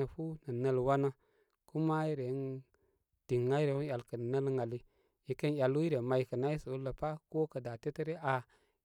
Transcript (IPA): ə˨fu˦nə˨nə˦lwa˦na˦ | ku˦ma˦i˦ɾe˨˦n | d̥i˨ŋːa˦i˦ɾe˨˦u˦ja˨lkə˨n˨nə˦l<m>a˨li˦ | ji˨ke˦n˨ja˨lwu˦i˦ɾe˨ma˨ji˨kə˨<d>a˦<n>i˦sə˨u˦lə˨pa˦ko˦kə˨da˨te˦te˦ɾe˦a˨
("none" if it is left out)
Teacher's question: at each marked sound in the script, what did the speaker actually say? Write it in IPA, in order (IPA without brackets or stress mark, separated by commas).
ŋ, n, none